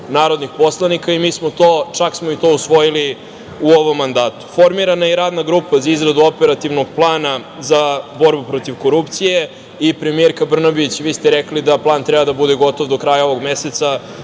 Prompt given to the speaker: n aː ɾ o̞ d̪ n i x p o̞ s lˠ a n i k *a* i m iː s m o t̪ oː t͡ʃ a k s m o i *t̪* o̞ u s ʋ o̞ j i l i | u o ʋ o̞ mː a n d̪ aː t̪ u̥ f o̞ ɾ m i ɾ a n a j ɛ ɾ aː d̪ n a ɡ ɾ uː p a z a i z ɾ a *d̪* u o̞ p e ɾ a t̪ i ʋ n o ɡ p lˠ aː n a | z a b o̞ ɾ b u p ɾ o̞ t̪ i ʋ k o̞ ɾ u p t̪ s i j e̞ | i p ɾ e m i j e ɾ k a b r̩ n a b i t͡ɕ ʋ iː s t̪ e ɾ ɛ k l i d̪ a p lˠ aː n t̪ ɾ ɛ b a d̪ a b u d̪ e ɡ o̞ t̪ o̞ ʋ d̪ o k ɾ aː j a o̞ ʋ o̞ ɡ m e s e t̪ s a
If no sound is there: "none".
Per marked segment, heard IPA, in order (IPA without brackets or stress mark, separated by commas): a, t̪, d̪